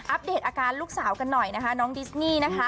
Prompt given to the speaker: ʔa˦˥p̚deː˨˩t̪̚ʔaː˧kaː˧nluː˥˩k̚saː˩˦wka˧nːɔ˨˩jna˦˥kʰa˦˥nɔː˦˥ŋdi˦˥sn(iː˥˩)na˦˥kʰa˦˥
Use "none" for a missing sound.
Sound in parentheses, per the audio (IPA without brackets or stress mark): iː˥˩